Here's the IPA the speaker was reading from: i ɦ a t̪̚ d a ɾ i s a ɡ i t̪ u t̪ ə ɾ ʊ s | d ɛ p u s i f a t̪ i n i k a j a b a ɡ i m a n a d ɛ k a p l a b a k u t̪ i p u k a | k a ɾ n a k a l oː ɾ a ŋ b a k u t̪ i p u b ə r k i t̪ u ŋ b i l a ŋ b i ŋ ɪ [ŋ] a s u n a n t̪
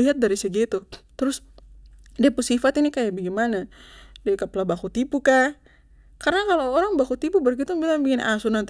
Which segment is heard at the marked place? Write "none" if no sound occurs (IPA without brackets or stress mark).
n